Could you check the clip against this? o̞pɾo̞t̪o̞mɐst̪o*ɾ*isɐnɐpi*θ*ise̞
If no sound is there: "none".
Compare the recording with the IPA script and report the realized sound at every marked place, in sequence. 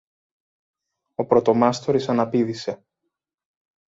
ɾ, ð

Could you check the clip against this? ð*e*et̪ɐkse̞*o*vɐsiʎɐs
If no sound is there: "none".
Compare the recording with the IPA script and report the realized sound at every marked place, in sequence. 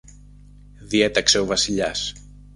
i, o

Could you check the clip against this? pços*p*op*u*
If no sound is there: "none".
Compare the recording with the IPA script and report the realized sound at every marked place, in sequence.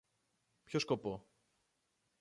k, o

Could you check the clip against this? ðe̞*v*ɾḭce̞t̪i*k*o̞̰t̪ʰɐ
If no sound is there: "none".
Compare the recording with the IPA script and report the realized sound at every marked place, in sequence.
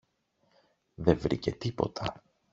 v, p

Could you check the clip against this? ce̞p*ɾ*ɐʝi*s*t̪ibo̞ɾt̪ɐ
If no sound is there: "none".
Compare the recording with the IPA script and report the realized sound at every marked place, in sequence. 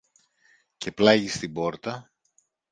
l, s

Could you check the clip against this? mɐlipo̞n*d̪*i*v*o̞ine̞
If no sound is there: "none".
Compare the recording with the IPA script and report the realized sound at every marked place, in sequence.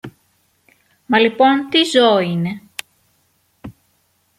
t̪, z

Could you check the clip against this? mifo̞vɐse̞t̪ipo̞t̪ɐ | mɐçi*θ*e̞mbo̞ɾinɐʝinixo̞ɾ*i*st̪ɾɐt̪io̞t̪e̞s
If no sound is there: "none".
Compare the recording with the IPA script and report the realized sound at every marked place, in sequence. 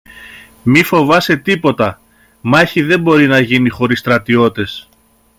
ð, i

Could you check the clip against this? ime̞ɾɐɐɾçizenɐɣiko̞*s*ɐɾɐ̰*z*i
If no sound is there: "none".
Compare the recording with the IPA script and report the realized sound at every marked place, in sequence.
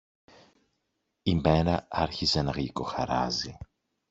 x, z

